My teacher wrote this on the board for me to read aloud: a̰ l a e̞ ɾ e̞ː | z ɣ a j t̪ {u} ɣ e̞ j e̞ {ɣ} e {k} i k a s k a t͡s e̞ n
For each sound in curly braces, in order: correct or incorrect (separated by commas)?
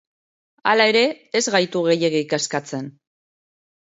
correct, correct, incorrect